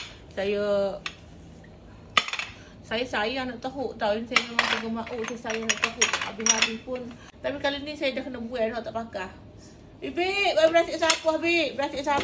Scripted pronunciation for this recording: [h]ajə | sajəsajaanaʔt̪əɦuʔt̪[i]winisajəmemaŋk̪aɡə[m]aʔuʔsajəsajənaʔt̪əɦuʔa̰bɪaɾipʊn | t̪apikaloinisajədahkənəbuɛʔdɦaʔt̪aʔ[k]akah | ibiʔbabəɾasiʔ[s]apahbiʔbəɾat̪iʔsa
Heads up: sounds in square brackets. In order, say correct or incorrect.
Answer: incorrect: s, incorrect: a, correct, incorrect: p, correct

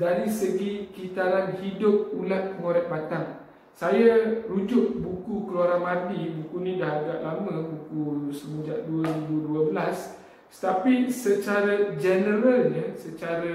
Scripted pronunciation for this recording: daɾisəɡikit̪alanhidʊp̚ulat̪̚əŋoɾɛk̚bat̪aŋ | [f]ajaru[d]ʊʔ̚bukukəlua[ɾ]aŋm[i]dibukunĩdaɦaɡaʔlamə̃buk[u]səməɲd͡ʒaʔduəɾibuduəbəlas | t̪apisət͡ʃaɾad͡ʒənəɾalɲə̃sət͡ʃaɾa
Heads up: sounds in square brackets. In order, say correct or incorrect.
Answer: incorrect: s, incorrect: d͡ʒ, correct, incorrect: a, correct

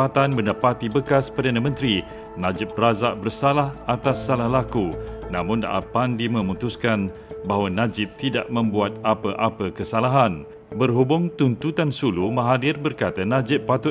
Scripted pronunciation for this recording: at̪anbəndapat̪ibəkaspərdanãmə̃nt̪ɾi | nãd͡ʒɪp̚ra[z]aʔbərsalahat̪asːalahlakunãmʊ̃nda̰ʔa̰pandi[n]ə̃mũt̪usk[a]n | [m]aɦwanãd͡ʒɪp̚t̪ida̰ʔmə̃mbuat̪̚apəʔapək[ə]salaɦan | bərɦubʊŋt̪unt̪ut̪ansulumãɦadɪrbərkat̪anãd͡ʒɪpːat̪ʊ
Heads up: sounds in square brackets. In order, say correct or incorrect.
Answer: correct, incorrect: m, correct, incorrect: b, correct

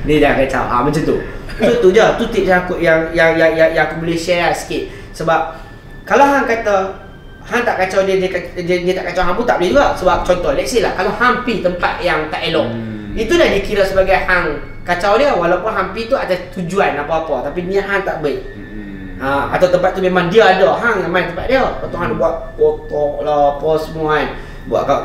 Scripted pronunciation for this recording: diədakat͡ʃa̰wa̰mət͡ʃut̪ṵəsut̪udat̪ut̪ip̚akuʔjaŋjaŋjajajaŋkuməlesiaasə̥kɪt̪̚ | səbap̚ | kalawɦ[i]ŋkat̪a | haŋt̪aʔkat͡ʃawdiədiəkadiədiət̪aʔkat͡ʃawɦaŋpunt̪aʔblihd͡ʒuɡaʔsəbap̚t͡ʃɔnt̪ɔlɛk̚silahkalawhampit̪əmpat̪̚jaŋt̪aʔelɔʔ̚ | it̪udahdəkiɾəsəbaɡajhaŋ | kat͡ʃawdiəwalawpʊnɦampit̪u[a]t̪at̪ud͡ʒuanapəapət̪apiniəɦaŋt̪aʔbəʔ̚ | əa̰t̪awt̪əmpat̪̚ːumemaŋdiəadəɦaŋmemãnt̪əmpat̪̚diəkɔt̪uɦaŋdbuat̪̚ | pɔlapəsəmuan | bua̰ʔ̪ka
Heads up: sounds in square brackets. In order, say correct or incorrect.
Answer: incorrect: a, correct

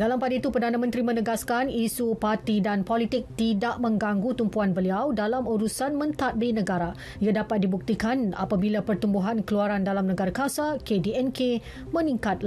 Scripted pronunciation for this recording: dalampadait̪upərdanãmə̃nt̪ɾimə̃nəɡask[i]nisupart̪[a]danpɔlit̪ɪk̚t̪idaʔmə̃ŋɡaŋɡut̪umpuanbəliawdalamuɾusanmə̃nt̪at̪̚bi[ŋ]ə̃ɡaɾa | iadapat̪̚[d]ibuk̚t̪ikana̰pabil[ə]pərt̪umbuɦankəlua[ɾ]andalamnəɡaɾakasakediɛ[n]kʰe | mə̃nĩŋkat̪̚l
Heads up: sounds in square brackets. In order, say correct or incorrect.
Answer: incorrect: a, incorrect: i, incorrect: n, correct, incorrect: a, correct, correct

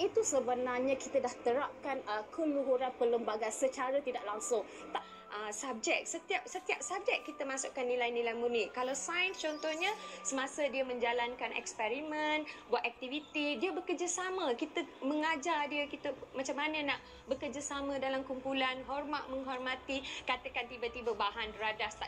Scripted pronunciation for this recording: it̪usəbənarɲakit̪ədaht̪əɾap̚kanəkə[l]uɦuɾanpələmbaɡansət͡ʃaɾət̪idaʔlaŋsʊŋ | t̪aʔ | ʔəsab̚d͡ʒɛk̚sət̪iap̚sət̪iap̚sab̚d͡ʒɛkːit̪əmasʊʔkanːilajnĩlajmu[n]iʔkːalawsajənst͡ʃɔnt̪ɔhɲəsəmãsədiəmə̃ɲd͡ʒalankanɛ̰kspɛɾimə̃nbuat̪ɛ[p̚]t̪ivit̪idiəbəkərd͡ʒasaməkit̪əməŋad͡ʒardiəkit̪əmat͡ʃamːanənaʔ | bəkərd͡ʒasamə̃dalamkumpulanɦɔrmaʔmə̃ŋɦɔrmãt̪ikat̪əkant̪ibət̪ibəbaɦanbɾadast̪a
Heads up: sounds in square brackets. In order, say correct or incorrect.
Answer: correct, correct, incorrect: k̚

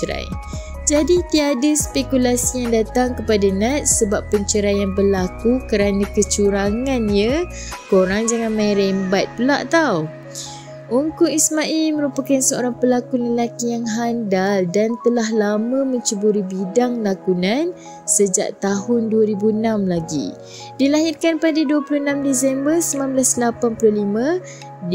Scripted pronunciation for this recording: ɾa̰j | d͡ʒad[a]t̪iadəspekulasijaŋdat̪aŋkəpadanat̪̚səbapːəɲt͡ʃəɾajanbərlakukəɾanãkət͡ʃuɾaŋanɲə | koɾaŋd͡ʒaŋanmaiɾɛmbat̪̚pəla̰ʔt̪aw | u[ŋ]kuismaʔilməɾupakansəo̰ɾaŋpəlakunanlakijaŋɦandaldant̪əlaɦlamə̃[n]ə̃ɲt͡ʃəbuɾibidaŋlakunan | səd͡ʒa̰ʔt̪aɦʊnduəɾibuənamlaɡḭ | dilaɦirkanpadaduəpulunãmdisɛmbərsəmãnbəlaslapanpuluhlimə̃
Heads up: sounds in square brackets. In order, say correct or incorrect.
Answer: incorrect: i, correct, incorrect: m

